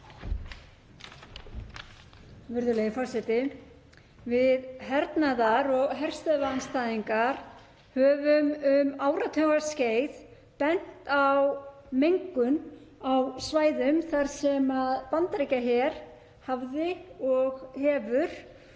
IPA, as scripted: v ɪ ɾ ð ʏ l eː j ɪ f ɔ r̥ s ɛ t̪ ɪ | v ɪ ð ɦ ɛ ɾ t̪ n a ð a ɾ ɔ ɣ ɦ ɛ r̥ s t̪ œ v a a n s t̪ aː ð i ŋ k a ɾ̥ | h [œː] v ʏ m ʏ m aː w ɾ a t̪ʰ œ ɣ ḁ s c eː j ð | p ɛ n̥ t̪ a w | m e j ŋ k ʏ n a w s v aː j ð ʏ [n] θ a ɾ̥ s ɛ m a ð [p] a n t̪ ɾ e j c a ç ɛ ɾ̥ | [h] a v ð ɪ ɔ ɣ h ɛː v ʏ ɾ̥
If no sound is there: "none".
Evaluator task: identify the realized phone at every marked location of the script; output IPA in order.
œː, m, p, h

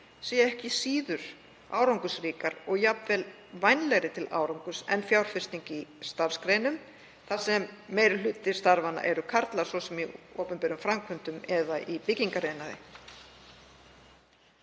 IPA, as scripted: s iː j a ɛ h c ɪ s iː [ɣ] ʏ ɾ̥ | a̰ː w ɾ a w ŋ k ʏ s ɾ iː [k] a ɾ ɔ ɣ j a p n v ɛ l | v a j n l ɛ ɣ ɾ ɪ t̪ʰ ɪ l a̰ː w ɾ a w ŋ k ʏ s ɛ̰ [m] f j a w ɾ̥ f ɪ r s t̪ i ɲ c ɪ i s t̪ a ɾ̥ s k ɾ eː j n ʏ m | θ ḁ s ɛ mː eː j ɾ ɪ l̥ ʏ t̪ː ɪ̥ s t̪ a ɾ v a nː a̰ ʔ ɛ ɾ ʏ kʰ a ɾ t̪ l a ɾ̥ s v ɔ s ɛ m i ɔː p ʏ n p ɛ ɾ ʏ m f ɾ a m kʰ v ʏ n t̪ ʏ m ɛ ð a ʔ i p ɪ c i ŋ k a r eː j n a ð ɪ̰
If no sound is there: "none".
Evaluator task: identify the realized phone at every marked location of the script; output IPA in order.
ð, k, n

